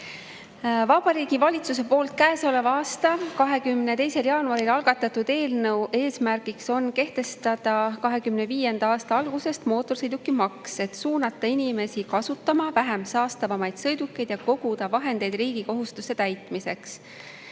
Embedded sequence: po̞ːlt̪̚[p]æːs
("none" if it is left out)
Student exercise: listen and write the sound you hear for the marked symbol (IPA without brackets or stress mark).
k